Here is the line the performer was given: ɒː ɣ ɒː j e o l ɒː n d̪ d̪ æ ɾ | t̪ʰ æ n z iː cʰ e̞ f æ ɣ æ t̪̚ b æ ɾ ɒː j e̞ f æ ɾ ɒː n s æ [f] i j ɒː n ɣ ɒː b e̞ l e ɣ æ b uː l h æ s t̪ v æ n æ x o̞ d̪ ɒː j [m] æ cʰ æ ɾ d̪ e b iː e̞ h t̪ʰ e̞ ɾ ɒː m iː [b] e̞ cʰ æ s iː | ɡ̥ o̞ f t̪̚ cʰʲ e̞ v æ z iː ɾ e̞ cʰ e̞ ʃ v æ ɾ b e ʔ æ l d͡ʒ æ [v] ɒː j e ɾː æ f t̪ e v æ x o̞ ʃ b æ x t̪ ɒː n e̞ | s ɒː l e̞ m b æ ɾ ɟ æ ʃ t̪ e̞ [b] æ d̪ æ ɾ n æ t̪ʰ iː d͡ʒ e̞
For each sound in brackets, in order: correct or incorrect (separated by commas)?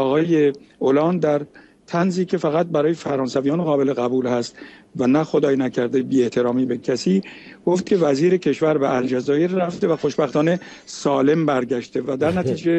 incorrect, incorrect, correct, incorrect, incorrect